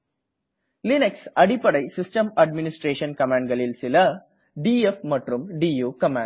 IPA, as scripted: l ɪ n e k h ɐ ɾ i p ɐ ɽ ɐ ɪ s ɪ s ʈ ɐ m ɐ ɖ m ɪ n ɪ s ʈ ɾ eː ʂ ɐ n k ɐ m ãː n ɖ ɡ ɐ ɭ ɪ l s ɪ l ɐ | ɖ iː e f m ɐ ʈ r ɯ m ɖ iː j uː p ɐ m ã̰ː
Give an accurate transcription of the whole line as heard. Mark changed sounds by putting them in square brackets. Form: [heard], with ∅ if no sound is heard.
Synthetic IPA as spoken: l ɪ n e k [s] ɐ [ɽ] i p ɐ ɽ ɐ ɪ s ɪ s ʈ ɐ m ɐ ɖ m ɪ n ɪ s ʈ ɾ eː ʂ ɐ n k ɐ m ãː [ɳ] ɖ ɡ ɐ ɭ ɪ l s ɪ l ɐ | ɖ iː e f m ɐ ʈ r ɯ m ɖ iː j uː [k] ɐ m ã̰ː